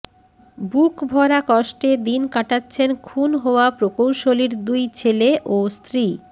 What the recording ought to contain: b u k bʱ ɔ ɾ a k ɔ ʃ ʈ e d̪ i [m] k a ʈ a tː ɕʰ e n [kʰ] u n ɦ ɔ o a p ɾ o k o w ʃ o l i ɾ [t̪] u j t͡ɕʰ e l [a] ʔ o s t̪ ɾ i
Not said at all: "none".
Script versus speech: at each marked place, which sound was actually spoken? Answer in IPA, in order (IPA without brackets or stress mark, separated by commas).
n, kʰ, d̪, e